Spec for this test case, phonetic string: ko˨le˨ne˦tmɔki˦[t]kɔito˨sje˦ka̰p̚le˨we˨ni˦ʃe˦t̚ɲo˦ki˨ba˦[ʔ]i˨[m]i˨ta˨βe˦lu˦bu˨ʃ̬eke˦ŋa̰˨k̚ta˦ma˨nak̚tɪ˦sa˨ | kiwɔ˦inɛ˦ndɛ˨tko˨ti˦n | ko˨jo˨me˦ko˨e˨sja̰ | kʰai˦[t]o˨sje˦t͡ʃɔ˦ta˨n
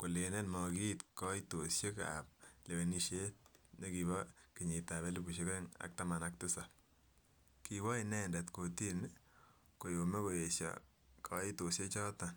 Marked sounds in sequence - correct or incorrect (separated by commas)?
correct, incorrect, incorrect, correct